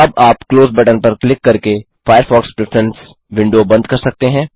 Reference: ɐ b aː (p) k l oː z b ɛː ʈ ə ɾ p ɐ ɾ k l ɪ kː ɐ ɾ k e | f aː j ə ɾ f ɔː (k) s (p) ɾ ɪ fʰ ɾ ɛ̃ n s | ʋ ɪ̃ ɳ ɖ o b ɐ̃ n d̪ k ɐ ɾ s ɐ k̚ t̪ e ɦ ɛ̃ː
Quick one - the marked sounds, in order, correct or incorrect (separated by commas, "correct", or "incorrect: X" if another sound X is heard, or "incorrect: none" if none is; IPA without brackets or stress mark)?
correct, correct, correct